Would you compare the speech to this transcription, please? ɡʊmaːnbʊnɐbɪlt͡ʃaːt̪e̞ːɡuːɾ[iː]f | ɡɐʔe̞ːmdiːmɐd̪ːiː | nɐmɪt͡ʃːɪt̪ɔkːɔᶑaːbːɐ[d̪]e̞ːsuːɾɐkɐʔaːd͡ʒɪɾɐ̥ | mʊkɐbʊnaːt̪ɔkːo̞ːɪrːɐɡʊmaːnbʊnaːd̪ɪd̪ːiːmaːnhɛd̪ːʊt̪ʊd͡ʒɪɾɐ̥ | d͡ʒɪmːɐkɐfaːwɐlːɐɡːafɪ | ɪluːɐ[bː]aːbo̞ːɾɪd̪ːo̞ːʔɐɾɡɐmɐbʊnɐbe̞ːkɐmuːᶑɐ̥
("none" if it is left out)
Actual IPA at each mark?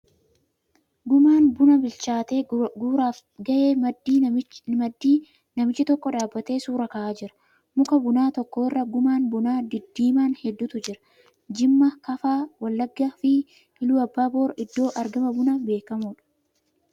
aː, t̪, bː

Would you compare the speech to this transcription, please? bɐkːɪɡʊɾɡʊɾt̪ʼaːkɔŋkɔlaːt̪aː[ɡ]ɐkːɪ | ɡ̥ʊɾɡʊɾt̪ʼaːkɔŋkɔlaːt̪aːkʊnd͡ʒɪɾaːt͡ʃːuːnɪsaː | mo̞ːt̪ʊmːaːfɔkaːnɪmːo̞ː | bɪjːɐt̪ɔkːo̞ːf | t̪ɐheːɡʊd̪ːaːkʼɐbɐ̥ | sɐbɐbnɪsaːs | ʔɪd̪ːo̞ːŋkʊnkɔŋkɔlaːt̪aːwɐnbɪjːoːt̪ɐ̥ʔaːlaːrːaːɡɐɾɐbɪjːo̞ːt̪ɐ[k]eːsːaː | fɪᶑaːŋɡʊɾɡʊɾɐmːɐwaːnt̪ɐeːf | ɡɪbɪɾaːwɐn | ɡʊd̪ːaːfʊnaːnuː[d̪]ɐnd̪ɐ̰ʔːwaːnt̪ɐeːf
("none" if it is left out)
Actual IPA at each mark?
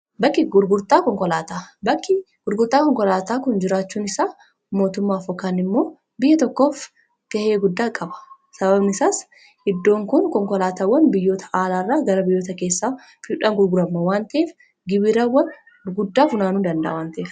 b, k, d̪

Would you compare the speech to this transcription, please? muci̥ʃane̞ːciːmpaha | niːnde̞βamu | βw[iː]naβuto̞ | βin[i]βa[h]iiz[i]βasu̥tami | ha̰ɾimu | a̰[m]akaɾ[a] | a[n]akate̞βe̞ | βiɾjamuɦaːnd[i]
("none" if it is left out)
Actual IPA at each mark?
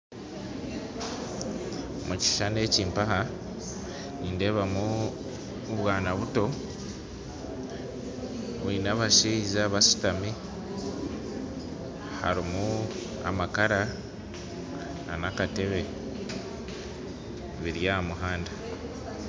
aː, a, ʃ, a, m, a, n, a

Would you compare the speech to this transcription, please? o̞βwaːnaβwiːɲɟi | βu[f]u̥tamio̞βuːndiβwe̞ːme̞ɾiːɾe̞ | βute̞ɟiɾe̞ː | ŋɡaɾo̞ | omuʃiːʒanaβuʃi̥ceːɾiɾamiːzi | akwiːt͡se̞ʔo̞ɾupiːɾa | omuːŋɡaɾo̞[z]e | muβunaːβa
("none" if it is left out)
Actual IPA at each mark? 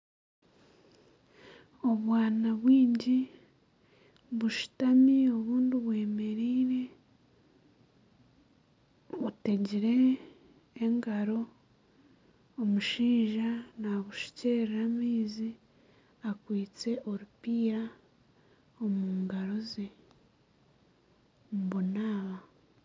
ʃ, z

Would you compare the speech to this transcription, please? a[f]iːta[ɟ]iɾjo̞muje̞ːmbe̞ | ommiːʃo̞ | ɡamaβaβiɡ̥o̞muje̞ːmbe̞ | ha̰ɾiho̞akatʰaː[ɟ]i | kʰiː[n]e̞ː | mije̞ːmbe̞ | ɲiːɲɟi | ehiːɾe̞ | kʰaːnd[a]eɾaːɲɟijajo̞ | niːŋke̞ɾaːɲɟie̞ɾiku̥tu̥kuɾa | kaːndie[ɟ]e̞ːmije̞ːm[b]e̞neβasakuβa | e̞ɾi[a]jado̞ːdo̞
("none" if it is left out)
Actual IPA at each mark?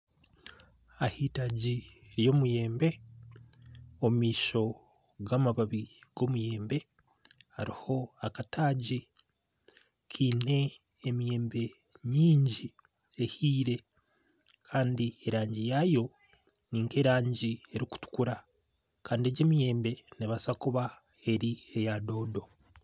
h, ɟ, ɟ, n, i, ɟ, b, e

